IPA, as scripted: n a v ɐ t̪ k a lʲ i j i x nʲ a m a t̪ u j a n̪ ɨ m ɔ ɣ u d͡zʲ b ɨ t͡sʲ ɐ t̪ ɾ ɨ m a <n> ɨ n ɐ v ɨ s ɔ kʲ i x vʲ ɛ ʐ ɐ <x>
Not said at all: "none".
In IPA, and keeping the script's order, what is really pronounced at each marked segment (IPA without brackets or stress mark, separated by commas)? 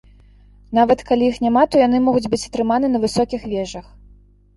n, x